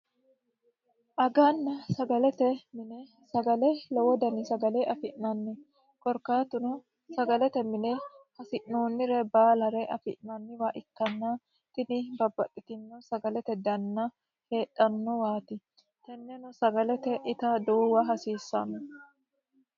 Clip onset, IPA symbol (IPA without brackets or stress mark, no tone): ʔ